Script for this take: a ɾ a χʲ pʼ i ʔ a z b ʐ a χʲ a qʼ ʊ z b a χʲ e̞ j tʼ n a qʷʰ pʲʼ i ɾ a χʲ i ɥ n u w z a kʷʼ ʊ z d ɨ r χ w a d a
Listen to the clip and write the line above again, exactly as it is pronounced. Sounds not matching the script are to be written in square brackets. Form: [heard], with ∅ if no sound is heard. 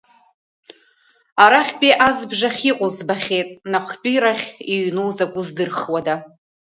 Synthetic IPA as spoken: a ɾ a χʲ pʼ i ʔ a z b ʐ a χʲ [i] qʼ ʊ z b a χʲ e̞ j tʼ n a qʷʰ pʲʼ i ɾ a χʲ i ɥ n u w z a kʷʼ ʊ z d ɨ r χ w a d a